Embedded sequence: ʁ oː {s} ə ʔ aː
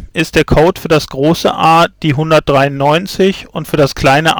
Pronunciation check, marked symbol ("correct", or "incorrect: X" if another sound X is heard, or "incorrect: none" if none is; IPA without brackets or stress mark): correct